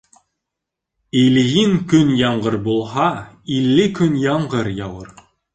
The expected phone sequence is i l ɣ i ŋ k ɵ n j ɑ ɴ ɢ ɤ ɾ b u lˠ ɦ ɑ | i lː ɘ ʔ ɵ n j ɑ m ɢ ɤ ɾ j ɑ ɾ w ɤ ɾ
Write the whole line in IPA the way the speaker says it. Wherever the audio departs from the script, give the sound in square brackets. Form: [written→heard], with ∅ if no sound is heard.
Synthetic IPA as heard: i l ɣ i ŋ k ɵ n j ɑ ɴ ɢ ɤ ɾ b u lˠ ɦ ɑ | i lː ɘ [ʔ→k] ɵ n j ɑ [m→ɴ] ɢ ɤ ɾ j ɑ [ɾ→∅] w ɤ ɾ